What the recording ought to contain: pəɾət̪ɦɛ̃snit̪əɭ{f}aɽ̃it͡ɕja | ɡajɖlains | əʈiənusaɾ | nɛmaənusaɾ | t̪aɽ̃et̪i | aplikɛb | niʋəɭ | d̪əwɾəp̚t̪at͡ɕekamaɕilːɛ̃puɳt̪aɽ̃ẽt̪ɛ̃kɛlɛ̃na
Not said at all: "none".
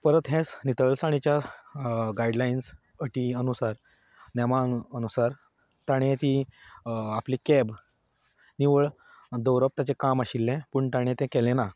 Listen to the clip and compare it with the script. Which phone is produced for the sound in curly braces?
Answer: s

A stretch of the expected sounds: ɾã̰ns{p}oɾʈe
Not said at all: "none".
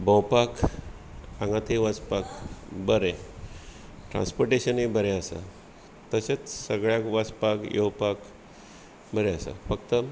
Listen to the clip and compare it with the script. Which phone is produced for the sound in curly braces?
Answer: p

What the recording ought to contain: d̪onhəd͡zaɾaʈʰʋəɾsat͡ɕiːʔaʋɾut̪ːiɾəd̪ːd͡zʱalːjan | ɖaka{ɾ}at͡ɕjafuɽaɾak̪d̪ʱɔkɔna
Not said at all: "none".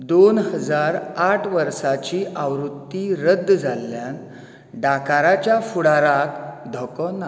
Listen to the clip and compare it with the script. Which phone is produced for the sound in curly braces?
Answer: ɾ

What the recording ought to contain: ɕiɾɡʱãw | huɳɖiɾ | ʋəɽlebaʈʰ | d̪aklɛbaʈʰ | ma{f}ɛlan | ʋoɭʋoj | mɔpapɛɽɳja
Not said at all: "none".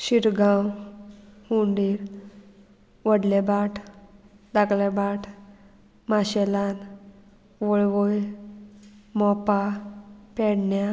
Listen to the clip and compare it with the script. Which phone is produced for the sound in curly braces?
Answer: ɕ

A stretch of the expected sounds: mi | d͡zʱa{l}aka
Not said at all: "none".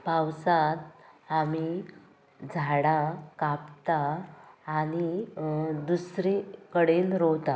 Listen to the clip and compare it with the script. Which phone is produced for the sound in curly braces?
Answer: ɽ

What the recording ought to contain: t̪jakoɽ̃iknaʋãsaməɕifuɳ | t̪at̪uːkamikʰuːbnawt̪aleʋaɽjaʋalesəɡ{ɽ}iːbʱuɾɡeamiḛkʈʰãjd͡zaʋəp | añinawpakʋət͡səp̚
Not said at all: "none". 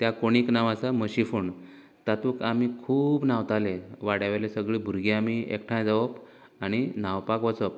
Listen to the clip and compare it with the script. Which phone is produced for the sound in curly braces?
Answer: ɭ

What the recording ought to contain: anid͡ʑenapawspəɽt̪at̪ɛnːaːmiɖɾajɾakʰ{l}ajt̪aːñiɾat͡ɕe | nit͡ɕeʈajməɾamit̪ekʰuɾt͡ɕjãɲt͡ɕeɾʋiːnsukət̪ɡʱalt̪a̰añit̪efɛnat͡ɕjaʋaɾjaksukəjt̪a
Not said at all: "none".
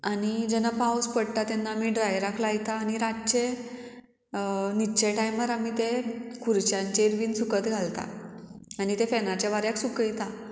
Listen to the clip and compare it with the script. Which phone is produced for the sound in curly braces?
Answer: l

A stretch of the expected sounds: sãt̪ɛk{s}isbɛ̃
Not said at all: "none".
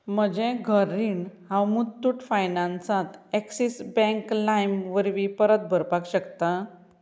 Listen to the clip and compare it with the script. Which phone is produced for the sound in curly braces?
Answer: s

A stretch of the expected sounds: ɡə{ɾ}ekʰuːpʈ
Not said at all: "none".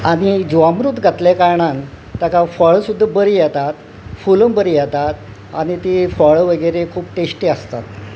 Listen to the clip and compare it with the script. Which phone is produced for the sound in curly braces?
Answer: ɾ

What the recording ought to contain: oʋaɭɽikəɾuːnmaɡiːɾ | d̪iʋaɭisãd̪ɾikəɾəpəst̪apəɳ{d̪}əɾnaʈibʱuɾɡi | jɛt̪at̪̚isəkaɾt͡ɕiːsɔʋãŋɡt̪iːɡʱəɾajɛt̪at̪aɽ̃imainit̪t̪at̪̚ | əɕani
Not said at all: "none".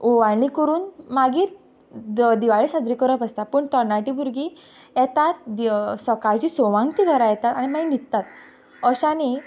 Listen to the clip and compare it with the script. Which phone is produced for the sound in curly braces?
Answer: t̪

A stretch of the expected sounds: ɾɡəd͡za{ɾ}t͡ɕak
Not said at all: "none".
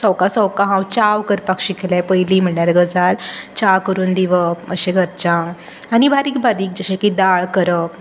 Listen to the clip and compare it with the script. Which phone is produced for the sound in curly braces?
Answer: l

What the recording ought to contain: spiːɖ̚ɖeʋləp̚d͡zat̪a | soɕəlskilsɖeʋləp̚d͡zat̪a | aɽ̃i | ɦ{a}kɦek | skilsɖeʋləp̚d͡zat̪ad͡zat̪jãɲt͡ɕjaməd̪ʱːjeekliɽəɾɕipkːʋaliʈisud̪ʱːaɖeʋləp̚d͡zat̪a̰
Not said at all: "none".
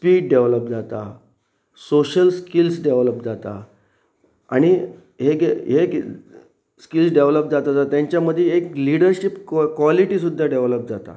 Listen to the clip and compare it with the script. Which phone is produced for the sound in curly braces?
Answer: e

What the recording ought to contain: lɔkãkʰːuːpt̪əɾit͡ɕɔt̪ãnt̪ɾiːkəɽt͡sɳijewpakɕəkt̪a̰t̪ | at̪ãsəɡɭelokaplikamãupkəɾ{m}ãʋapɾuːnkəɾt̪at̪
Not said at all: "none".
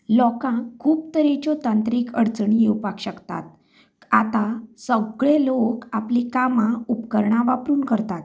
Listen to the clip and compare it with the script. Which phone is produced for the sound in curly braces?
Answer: ɳ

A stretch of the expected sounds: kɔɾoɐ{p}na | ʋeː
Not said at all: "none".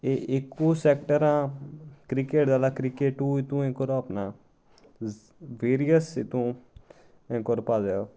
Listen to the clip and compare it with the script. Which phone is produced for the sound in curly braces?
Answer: p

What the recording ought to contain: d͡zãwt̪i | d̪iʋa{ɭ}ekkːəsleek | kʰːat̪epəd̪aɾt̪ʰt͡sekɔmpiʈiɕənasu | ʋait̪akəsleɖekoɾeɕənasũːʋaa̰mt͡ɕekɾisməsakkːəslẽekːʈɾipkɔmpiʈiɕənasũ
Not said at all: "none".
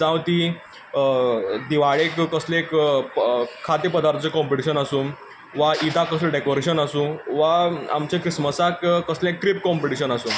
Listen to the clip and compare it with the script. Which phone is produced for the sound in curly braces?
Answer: ɭ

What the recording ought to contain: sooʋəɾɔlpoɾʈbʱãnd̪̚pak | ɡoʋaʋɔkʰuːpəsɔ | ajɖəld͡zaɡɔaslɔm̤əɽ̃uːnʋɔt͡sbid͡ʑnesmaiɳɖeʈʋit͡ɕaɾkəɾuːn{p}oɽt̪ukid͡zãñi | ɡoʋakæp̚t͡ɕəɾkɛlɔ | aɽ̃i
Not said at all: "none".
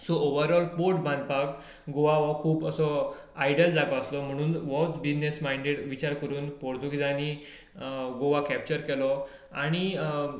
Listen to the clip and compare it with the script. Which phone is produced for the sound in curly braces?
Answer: p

